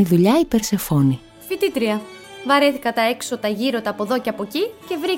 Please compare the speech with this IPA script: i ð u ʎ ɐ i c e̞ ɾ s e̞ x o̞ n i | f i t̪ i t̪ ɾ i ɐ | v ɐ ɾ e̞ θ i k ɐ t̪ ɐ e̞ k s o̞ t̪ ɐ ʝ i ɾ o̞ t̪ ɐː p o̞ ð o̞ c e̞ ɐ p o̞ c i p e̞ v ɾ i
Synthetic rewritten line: i ð u ʎ ɐ i p e̞ ɾ s e̞ f o̞ n i | f i t̪ i t̪ ɾ i ɐ | v ɐ ɾ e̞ θ i k ɐ t̪ ɐ e̞ k s o̞ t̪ ɐ ʝ i ɾ o̞ t̪ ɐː p o̞ ð o̞ c e̞ ɐ p o̞ c i c e̞ v ɾ i